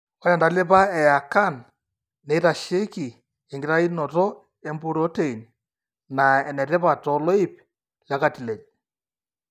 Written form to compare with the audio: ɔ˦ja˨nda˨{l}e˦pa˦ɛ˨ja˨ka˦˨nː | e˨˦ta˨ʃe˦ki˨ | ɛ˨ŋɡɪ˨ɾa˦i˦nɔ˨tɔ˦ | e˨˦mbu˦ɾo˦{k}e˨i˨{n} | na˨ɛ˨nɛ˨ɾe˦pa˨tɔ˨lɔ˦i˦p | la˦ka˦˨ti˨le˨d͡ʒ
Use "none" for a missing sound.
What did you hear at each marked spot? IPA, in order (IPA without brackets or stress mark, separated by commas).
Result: l, t, n